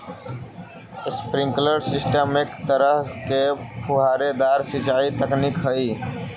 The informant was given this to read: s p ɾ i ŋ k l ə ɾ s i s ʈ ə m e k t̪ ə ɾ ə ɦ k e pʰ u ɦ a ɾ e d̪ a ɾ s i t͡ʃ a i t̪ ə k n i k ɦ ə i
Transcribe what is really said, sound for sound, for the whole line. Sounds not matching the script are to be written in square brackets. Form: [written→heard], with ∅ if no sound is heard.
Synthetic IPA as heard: s p ɾ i ŋ k l ə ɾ s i s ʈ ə m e k t̪ ə ɾ ə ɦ k e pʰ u ɦ a ɾ e d̪ a ɾ s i t͡ʃ a i t̪ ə k n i k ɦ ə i